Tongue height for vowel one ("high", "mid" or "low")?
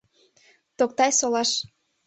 mid